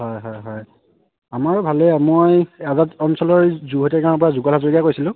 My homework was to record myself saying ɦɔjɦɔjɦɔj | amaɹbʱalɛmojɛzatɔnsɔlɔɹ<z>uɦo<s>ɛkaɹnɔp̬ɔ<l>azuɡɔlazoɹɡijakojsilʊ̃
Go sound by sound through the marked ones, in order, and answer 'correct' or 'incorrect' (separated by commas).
correct, incorrect, incorrect